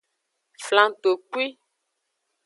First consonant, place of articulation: labial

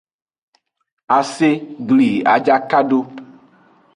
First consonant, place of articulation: alveolar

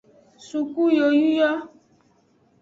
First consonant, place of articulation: alveolar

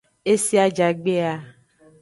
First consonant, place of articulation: alveolar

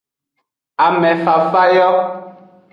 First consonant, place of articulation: labial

